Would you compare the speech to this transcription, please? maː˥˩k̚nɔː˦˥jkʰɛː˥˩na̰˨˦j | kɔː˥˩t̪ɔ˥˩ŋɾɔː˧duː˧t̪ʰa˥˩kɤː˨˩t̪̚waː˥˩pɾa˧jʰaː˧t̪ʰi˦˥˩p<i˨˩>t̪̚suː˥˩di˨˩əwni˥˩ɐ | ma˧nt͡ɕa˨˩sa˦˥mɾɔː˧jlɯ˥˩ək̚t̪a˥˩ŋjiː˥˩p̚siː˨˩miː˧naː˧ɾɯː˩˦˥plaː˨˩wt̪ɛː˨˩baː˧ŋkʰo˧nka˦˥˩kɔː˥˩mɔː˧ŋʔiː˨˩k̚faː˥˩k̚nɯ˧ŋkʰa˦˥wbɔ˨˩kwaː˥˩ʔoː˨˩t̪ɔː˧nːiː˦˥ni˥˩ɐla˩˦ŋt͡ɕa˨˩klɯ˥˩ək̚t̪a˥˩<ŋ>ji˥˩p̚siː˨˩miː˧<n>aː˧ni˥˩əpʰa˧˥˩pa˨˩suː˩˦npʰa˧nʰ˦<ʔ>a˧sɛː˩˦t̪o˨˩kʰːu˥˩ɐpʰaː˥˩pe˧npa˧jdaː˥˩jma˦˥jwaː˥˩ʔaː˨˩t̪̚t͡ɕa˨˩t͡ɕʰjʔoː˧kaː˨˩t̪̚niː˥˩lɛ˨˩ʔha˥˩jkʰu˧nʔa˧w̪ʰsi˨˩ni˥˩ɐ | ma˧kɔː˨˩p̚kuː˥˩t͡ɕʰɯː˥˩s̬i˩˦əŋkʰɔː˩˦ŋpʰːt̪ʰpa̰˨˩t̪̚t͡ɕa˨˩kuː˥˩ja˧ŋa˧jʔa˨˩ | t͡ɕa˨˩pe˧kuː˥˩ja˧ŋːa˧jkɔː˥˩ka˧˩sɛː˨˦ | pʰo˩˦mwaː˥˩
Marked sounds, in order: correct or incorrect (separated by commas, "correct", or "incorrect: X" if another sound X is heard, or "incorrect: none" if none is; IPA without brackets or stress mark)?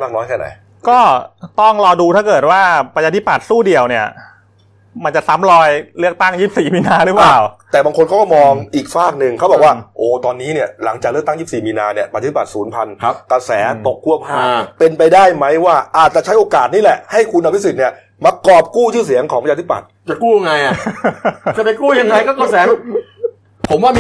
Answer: incorrect: a˨˩, correct, correct, incorrect: k